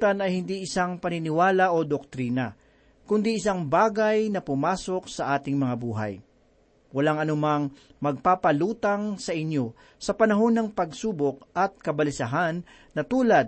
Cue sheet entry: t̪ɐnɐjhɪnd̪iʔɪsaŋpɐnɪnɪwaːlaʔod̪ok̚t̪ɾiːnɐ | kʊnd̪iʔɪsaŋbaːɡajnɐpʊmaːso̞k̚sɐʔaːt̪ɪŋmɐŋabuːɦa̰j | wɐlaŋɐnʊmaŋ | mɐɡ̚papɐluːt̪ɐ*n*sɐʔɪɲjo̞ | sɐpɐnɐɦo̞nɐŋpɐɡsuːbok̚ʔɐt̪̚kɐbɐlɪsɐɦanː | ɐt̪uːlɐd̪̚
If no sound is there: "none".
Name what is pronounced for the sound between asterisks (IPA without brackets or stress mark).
ŋ